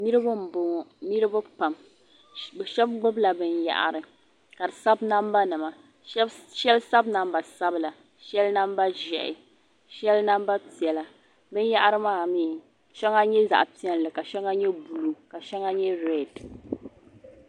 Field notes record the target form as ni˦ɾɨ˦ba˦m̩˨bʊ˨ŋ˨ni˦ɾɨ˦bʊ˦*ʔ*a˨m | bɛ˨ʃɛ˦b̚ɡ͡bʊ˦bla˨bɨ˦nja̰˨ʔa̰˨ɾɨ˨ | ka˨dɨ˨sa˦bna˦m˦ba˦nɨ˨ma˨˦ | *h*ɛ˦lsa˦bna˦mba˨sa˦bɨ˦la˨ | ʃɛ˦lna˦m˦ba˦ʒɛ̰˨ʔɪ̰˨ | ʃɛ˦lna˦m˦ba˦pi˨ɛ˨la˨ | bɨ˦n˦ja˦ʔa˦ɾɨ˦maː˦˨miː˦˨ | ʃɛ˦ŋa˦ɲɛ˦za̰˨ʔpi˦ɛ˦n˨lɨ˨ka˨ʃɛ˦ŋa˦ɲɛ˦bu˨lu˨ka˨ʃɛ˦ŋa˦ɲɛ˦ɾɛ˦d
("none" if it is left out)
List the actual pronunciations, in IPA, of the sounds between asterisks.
p, ʃ

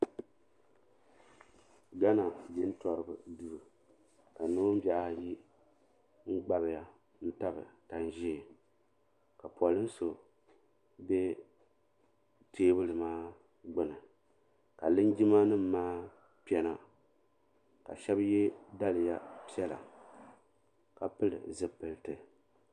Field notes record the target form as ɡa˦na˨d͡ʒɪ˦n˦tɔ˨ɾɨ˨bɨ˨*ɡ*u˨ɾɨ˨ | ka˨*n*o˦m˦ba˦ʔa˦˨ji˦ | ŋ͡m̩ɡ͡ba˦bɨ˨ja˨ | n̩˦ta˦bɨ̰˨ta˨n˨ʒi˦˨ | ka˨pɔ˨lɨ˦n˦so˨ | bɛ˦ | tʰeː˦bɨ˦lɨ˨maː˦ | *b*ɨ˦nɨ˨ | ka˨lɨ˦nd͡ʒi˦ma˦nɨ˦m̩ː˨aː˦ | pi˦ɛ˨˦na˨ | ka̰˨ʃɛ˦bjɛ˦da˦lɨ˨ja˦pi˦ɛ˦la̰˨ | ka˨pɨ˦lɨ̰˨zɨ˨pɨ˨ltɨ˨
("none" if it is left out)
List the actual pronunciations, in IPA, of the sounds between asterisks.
d, n, ɡ͡b

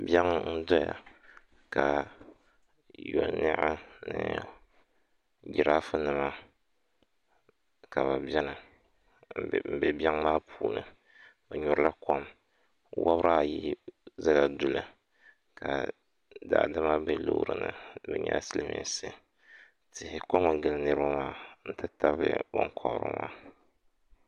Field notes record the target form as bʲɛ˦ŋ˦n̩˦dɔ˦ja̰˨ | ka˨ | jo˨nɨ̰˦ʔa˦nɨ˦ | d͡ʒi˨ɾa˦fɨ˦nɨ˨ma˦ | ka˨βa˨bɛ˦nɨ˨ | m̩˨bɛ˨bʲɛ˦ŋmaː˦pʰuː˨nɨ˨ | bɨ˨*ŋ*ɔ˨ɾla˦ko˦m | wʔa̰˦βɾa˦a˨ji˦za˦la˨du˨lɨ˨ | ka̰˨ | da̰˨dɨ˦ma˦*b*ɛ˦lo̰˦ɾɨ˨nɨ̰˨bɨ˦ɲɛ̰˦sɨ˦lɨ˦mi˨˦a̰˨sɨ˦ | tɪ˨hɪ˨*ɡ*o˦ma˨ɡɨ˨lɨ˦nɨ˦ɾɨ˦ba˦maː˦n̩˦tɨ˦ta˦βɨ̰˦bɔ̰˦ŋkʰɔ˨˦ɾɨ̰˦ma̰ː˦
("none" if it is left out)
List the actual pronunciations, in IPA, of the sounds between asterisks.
ɲ, b, k

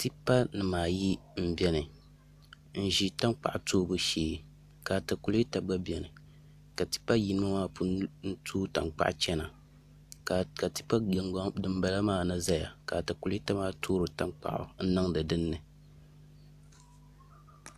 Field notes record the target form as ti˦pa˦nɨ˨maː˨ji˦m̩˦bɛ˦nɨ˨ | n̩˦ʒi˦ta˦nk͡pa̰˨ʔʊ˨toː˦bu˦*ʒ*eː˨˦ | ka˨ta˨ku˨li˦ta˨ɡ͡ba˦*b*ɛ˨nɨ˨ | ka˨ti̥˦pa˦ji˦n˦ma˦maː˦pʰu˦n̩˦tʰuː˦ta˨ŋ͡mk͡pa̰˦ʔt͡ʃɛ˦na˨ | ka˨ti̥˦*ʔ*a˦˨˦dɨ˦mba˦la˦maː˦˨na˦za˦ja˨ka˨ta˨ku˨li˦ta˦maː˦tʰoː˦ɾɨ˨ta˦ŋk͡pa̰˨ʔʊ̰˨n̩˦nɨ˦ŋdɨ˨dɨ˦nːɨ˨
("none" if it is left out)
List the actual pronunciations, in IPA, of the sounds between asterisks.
ʃ, b, p

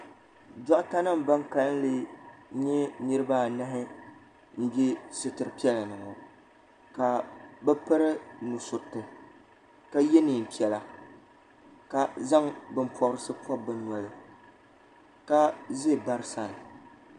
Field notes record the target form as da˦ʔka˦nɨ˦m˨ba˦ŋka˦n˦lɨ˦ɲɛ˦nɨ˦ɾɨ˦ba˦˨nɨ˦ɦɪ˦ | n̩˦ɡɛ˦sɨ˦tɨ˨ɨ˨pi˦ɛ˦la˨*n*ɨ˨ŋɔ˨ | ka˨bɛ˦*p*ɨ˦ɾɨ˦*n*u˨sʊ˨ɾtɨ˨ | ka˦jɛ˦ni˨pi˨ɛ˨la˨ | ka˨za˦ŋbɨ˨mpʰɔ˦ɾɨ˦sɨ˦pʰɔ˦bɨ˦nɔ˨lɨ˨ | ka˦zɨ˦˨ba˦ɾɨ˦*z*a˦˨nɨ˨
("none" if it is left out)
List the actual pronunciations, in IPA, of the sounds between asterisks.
n, p, n, s

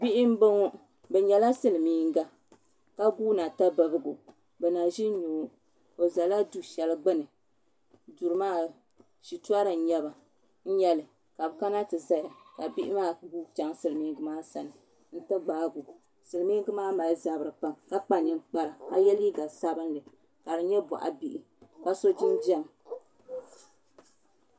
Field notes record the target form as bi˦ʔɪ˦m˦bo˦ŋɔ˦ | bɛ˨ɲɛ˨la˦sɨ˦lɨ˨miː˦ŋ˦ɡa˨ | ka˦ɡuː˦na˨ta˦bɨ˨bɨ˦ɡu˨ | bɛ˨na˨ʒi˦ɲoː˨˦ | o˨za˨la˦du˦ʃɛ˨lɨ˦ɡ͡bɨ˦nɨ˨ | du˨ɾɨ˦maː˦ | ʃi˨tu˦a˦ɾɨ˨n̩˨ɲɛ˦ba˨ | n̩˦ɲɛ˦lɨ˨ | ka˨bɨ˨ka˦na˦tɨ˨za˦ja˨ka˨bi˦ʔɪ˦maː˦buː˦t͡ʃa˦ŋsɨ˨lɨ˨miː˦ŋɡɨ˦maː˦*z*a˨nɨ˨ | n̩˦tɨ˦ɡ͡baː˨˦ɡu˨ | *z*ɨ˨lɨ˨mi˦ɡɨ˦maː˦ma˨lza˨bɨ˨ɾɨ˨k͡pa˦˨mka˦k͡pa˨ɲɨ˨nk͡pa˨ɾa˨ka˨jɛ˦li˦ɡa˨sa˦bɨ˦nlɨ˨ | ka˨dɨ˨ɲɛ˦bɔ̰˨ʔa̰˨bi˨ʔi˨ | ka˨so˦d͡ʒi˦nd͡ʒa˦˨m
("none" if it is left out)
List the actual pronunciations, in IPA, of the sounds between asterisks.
s, s

